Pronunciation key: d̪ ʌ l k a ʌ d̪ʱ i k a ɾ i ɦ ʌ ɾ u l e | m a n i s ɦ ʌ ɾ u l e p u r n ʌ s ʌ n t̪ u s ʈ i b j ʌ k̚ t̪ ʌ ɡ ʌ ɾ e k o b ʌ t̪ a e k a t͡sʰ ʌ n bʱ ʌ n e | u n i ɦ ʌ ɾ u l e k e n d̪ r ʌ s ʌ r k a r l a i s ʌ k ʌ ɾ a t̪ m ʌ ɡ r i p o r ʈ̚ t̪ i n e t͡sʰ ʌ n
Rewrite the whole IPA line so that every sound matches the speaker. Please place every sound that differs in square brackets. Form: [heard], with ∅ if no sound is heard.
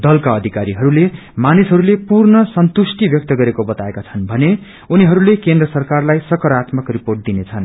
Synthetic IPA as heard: d̪ ʌ l k a ʌ d̪ʱ i k a ɾ i ɦ ʌ ɾ u l e | m a n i s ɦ ʌ ɾ u l e p u r n ʌ s ʌ n t̪ u s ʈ i b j ʌ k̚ t̪ ʌ ɡ ʌ ɾ e k o b ʌ t̪ a e k a t͡sʰ ʌ n bʱ ʌ n e | u n i ɦ ʌ ɾ u l e k e n d̪ r ʌ s ʌ r k a r l a [j] s ʌ k ʌ ɾ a t̪ m ʌ [k] r i p o r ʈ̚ [d̪] i n e t͡sʰ ʌ n